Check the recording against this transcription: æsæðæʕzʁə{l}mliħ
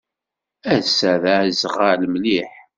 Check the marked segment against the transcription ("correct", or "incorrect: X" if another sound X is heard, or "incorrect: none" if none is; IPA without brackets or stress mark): correct